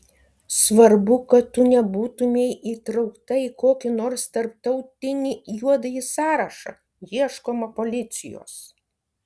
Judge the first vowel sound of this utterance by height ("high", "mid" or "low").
low